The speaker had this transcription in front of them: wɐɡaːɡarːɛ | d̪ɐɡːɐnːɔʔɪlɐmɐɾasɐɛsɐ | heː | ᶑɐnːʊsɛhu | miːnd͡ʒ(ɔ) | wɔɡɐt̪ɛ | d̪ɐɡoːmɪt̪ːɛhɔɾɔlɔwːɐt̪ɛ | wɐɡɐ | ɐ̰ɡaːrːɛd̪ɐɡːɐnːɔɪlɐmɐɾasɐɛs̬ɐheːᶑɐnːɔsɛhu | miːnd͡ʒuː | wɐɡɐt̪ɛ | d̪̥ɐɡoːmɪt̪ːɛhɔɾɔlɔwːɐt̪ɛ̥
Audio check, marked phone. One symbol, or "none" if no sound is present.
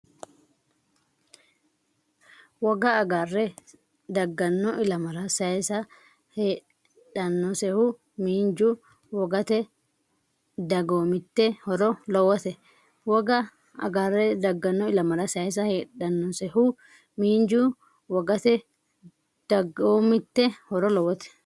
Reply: u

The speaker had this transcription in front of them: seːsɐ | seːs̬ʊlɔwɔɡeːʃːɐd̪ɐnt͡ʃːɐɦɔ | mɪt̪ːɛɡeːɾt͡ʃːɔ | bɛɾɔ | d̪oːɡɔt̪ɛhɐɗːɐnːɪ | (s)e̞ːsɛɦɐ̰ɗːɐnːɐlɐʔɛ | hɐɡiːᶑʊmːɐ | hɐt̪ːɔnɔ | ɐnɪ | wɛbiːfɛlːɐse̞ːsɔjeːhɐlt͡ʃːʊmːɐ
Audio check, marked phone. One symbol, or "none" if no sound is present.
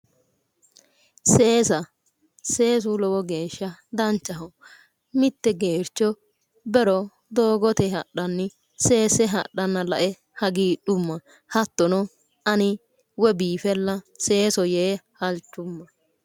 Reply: s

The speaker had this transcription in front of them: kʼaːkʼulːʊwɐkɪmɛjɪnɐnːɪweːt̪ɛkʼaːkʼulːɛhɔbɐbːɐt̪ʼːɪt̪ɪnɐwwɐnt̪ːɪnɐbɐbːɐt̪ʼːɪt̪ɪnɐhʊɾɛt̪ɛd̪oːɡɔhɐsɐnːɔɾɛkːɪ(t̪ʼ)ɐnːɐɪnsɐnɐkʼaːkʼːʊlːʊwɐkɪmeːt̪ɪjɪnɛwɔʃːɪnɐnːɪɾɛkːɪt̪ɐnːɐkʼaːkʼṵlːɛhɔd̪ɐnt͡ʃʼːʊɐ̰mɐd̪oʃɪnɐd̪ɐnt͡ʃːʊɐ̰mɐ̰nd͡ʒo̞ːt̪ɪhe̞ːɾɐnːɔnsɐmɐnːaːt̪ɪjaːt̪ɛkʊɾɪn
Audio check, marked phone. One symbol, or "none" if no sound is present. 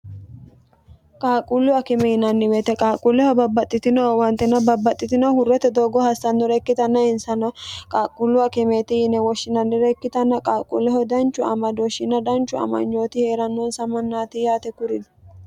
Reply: t̪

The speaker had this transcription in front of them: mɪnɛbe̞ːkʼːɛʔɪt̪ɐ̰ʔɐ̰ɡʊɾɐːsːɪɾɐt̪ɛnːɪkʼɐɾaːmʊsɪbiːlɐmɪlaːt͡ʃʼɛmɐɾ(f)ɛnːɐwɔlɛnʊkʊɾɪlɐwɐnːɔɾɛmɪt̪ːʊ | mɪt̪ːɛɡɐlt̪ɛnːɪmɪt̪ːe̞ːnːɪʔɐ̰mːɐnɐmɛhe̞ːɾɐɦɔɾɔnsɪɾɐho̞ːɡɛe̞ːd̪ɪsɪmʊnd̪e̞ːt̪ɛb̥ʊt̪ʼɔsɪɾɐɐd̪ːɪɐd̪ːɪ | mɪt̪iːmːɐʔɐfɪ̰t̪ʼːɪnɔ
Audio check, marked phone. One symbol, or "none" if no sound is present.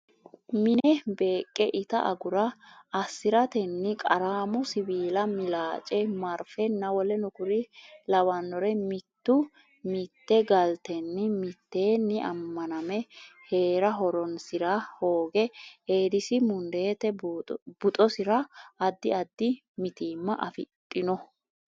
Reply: f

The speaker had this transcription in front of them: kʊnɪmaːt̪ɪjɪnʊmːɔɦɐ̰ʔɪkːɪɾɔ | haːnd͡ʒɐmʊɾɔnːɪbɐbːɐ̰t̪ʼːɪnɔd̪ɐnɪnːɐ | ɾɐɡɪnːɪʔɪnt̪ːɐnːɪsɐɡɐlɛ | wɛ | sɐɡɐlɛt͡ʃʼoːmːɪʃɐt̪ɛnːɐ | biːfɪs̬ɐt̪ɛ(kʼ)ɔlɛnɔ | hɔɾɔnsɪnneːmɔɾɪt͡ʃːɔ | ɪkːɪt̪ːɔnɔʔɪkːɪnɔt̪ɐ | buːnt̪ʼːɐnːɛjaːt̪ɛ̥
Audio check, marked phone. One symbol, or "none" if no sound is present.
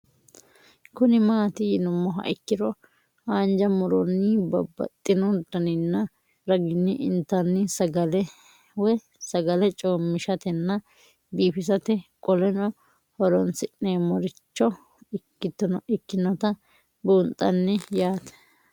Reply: kʼ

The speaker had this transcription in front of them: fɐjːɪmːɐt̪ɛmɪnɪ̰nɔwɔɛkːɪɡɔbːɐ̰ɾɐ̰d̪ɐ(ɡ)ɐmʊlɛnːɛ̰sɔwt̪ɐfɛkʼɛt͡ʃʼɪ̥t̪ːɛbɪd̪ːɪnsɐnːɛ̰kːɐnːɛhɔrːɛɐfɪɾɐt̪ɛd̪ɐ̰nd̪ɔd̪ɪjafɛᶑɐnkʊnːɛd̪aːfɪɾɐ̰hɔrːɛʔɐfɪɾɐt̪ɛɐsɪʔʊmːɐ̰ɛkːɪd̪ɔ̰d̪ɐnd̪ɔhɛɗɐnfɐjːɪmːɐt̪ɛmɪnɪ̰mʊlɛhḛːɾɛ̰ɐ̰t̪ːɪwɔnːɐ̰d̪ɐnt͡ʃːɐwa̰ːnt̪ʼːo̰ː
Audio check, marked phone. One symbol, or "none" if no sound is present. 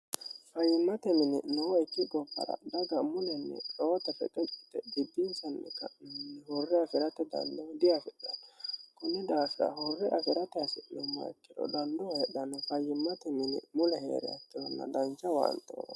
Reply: ɡ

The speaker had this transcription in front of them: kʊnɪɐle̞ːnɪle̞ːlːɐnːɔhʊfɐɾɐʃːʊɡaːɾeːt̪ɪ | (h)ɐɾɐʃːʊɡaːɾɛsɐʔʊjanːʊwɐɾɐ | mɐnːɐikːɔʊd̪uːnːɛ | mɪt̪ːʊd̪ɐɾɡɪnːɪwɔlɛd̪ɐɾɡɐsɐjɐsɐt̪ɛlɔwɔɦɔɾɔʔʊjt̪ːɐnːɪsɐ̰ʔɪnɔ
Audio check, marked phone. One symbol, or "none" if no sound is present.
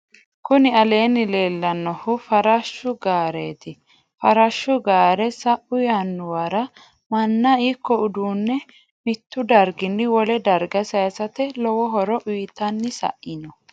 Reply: f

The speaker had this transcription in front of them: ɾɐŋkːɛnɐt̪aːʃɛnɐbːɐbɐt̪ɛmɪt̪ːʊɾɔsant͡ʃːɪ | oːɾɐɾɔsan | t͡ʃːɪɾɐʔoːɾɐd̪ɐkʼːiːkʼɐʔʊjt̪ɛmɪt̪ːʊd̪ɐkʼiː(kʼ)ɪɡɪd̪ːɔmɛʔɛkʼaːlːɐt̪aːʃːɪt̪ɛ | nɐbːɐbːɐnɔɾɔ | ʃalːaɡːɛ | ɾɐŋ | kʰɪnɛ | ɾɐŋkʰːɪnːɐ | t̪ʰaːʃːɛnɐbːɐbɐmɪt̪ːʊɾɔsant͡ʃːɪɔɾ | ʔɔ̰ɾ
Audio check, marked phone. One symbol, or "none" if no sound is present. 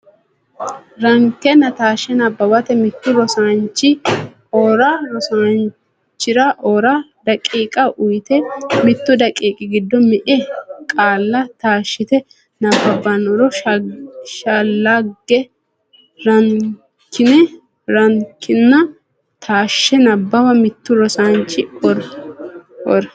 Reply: kʼ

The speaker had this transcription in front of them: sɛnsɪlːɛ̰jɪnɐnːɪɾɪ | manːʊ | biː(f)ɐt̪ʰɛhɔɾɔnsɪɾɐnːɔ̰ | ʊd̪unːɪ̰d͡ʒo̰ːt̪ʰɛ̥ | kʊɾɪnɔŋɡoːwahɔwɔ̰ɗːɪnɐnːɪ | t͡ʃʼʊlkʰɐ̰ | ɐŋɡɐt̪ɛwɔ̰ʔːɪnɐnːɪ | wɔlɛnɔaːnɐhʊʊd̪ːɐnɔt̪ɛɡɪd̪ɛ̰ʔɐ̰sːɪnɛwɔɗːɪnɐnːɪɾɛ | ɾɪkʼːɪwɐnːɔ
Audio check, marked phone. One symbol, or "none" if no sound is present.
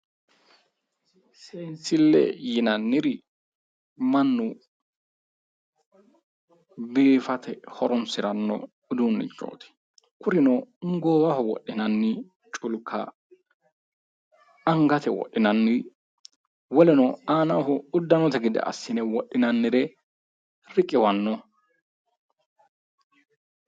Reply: f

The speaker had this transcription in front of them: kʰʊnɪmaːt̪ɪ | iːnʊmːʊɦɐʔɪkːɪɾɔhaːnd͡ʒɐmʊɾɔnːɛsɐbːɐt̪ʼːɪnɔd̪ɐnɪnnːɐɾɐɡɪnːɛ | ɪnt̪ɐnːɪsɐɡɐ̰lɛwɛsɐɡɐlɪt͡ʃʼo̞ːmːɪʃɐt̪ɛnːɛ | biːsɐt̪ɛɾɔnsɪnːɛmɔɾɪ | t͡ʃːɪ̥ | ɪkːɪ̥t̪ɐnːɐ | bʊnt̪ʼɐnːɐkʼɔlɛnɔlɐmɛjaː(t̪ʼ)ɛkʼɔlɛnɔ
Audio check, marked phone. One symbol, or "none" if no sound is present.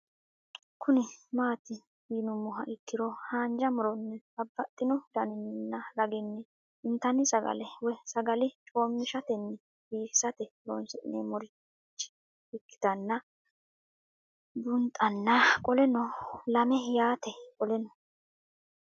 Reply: t̪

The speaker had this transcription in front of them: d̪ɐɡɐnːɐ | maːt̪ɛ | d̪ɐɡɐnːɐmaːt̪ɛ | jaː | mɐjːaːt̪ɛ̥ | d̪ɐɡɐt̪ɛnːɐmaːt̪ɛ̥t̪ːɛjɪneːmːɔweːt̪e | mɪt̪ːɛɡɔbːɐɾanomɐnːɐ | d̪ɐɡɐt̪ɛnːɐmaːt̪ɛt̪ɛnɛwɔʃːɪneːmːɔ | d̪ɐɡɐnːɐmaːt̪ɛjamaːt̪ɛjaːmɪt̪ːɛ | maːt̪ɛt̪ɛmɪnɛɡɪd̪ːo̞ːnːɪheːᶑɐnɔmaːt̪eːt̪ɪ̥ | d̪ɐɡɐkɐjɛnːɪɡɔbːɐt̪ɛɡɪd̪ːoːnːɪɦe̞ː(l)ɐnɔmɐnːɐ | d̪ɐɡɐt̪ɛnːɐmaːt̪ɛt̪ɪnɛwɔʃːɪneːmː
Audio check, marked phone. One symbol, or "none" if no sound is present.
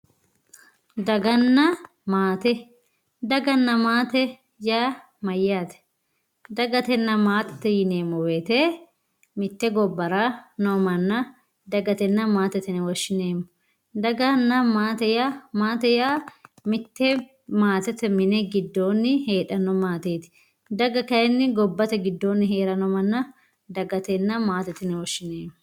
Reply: ɾ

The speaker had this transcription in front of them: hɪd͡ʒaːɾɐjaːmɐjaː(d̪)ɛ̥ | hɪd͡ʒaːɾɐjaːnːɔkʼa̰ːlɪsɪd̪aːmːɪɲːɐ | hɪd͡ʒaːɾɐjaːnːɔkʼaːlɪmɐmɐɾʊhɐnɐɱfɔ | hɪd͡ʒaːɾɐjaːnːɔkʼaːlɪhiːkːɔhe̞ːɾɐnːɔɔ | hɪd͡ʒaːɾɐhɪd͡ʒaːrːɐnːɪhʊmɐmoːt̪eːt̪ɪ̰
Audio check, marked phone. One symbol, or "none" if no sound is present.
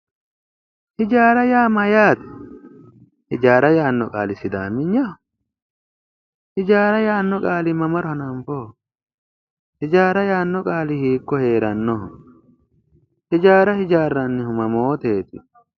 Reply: t̪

